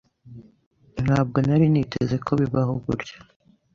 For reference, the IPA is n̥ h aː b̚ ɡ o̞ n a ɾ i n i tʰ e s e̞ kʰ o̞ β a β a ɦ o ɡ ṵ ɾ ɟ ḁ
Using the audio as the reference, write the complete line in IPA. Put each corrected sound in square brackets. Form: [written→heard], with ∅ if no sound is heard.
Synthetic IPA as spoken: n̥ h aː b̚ ɡ o̞ n a ɾ i n i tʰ e [s→z] e̞ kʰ o̞ β [a→i] β a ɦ o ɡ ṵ ɾ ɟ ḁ